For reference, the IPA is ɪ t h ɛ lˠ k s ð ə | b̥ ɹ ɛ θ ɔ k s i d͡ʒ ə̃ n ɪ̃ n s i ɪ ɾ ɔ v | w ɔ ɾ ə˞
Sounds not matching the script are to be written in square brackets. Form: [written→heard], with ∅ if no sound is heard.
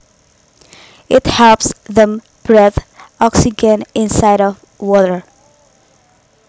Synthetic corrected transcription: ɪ t h ɛ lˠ [k→p] s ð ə | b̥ ɹ ɛ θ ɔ k s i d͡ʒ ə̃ n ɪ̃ n s [i→a] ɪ ɾ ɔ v | w ɔ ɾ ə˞